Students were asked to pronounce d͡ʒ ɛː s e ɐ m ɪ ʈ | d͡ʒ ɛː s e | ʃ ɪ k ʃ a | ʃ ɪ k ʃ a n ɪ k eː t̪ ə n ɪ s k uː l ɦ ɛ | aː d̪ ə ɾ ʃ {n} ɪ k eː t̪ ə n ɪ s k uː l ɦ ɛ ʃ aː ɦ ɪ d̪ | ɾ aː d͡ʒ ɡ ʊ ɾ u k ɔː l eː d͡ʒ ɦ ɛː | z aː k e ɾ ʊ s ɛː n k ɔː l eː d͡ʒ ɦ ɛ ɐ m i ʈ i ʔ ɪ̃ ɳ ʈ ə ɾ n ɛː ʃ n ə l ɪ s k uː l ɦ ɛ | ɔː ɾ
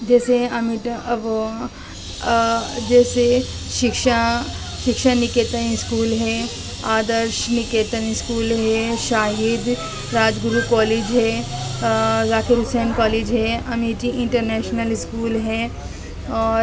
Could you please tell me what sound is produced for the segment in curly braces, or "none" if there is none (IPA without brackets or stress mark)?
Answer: n